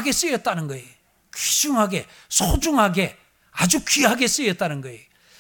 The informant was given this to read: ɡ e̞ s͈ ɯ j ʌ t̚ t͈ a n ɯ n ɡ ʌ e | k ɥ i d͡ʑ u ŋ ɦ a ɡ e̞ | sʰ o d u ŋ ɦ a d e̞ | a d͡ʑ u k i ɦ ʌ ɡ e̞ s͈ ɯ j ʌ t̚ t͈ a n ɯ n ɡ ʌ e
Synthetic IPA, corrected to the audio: ɡ e̞ s͈ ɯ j ʌ t̚ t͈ a n ɯ n ɡ ʌ e | k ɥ i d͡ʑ u ŋ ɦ a ɡ e̞ | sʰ o d͡ʑ u ŋ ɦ a ɡ e̞ | a d͡ʑ u k i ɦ a ɡ e̞ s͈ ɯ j ʌ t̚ t͈ a n ɯ n ɡ ʌ e